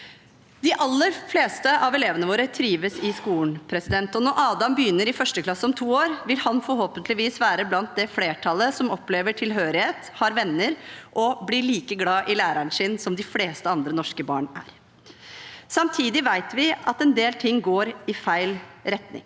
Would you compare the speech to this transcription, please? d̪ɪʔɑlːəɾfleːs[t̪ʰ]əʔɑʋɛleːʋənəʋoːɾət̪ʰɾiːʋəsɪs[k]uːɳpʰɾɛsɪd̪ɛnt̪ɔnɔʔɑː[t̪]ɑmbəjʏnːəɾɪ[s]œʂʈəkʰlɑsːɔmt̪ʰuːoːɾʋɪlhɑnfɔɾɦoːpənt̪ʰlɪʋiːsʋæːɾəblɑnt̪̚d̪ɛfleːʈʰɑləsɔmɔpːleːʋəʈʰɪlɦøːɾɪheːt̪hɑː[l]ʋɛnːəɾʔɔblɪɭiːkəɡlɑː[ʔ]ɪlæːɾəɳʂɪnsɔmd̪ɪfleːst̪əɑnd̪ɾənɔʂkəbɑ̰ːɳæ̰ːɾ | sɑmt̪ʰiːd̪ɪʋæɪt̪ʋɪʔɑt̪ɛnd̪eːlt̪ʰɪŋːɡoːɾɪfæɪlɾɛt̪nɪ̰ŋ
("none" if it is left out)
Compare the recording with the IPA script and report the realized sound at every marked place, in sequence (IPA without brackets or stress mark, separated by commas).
t̪, k, d̪, f, ɾ, ʔ